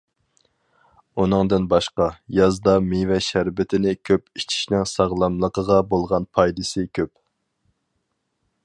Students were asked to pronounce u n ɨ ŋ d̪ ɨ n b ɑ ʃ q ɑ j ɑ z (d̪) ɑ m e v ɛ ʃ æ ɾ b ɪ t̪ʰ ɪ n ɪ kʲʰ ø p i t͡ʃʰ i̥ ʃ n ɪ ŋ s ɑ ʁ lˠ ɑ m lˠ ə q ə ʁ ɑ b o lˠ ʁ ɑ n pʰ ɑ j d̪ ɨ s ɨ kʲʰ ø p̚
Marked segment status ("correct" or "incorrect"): correct